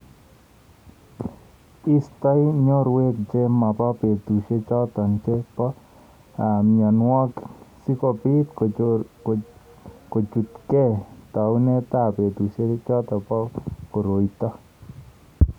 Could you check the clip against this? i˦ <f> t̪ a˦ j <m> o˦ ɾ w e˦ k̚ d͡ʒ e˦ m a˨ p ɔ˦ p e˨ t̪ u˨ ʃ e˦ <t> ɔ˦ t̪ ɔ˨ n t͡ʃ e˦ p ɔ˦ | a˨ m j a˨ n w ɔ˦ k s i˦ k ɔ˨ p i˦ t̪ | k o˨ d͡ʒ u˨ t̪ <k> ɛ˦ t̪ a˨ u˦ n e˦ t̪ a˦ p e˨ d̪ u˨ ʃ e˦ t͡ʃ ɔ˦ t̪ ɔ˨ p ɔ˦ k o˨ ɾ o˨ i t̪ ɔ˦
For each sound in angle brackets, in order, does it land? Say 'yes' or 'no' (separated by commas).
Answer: no, no, no, yes